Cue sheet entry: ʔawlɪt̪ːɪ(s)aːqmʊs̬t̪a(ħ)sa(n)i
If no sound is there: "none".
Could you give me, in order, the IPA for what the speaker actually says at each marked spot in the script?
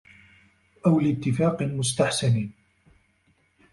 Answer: f, ħ, n

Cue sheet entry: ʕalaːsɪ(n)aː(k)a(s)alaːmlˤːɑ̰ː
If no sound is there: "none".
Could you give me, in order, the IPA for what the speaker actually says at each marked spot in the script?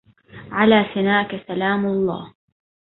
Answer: n, k, s

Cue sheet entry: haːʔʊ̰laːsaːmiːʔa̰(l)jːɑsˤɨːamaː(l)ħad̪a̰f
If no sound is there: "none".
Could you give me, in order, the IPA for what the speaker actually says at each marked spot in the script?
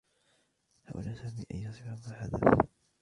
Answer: none, none

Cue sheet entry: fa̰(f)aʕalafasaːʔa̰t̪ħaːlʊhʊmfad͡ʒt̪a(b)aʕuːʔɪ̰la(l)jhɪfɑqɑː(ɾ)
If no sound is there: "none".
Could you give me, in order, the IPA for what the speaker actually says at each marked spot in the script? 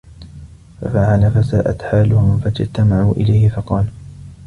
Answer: f, m, none, l

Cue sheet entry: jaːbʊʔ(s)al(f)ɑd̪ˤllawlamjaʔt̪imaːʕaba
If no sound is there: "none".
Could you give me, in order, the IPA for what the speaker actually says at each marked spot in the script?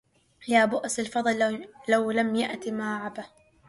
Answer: s, f

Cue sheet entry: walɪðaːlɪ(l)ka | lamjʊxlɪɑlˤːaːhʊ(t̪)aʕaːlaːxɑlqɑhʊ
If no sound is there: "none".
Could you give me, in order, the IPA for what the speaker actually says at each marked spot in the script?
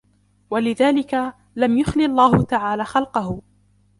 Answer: none, t̪

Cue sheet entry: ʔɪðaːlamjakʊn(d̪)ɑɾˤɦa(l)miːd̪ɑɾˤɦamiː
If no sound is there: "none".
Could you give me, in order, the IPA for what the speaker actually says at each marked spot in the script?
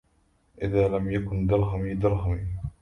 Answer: d̪, none

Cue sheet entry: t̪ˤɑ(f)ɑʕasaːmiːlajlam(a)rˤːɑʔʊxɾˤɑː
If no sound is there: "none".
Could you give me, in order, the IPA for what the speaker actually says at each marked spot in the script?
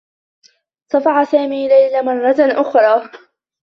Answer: f, ɑ

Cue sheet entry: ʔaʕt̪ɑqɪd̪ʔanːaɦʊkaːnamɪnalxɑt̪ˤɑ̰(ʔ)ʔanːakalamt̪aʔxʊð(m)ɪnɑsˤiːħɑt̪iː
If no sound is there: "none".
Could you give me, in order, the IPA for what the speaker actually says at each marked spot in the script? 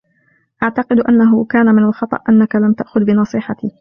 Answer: ʔ, b

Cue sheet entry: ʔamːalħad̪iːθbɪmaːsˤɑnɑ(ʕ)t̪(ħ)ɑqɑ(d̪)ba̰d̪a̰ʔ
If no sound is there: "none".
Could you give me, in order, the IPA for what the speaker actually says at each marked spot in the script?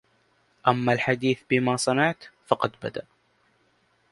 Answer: ʕ, f, d̪

